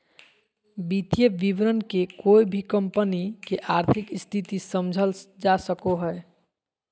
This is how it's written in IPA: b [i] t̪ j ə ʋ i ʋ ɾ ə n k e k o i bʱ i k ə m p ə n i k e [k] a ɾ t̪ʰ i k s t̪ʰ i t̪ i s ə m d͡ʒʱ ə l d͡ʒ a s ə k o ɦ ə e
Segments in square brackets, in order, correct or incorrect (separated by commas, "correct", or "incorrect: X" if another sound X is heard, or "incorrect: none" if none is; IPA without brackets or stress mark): correct, incorrect: ʔ